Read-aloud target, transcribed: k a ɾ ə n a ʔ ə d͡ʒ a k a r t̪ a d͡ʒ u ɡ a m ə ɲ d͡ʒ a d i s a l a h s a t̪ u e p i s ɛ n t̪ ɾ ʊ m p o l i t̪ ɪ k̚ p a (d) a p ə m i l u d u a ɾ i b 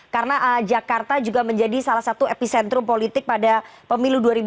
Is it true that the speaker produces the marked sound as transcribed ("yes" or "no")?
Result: yes